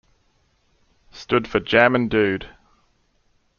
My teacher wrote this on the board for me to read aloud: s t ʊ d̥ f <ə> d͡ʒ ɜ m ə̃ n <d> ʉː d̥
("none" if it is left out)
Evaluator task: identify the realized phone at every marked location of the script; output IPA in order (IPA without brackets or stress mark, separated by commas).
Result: ə, d